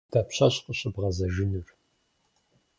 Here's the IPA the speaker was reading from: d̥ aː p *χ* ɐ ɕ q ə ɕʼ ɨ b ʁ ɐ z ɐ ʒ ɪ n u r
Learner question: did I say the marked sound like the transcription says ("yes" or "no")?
no